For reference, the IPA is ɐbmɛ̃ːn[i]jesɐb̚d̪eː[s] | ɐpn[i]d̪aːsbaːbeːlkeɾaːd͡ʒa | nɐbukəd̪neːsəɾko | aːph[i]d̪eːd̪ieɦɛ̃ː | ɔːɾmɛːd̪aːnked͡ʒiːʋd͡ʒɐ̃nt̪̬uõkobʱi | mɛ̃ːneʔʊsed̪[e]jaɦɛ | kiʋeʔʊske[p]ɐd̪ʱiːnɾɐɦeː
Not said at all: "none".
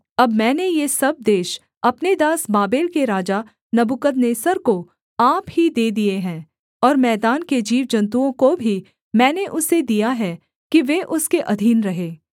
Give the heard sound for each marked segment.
e, ʃ, e, i, i, ʔ

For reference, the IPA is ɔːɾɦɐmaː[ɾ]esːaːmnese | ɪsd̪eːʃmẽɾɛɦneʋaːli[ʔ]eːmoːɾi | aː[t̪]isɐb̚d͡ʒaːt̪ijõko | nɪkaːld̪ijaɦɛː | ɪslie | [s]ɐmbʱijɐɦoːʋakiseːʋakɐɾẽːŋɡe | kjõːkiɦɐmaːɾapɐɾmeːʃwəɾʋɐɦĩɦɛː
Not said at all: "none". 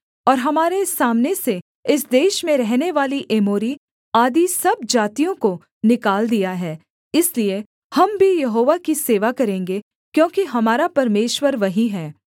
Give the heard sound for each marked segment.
ɾ, ʔ, d̪, h

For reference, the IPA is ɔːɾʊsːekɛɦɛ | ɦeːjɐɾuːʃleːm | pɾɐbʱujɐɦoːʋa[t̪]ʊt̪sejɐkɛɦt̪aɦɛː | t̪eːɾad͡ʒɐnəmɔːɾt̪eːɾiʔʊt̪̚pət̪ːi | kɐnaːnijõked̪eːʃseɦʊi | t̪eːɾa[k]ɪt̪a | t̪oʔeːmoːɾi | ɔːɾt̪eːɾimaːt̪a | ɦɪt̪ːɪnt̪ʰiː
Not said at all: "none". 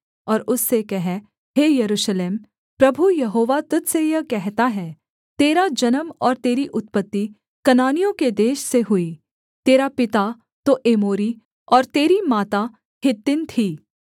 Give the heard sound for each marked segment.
t̪, p

